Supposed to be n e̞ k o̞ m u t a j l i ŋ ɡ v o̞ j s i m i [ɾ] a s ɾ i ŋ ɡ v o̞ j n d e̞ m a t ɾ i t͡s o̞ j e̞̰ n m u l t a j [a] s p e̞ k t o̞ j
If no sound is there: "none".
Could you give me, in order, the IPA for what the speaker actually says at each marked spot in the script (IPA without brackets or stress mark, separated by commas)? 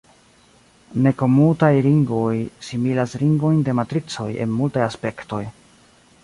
l, a